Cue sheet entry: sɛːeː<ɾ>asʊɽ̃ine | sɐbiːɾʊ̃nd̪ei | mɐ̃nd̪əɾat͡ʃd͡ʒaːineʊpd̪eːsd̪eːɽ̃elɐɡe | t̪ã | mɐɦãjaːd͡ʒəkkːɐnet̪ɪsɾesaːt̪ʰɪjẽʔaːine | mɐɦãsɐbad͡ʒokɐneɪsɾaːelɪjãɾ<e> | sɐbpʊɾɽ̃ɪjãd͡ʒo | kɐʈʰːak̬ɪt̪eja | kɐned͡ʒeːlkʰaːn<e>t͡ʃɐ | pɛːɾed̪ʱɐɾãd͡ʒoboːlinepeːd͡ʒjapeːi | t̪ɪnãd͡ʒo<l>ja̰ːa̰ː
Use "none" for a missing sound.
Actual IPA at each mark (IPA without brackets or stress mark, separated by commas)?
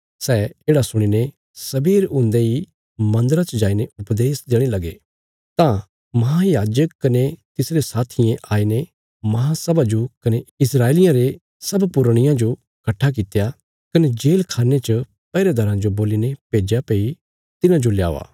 ɽ, e, e, l